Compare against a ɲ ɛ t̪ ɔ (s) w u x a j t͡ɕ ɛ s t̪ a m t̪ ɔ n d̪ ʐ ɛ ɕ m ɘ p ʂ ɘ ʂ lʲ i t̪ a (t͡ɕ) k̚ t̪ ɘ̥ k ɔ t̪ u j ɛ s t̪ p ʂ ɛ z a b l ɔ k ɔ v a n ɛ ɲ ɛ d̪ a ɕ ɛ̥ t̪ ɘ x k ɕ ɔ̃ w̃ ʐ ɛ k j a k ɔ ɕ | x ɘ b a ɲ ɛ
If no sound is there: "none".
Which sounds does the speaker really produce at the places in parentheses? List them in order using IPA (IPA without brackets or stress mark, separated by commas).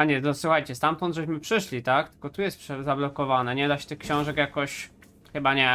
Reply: s, none